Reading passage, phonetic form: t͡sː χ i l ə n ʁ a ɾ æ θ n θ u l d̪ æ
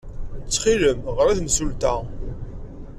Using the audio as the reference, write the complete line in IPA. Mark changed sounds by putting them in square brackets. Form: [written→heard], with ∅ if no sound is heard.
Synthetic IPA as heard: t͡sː χ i l ə [n→m] ʁ [a→ə] ɾ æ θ n [θ→s] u l [d̪→t̪] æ